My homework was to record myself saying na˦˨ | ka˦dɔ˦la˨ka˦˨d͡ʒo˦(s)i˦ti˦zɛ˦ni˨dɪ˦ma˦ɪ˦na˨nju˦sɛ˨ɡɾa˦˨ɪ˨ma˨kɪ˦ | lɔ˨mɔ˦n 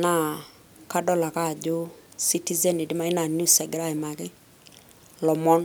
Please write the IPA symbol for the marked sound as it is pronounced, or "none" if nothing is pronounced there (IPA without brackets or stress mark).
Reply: s